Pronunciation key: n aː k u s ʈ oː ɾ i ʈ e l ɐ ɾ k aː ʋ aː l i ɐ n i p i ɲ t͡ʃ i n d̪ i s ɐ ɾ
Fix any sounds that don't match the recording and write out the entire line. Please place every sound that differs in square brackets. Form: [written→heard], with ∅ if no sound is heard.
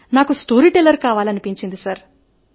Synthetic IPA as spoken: n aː k u s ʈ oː ɾ i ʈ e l ɐ ɾ k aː ʋ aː l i ɐ n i p i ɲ t͡ʃ i n d̪ i s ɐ ɾ